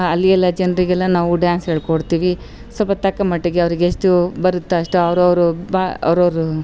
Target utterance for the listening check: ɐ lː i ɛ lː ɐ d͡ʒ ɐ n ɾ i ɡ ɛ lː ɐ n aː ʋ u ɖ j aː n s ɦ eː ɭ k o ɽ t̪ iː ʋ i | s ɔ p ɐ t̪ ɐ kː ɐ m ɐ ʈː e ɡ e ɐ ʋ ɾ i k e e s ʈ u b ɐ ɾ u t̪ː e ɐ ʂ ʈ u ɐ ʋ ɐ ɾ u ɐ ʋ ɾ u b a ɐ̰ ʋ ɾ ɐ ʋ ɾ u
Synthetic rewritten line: ɐ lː i ɛ lː ɐ d͡ʒ ɐ n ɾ i ɡ ɛ lː ɐ n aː ʋ u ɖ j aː n s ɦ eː ɭ k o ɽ t̪ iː ʋ i | s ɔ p ɐ t̪ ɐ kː ɐ m ɐ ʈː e ɡ e ɐ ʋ ɾ i ɡ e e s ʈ u b ɐ ɾ u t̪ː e ɐ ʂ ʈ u ɐ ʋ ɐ ɾ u ɐ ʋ ɾ u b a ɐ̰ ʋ ɾ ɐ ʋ ɾ u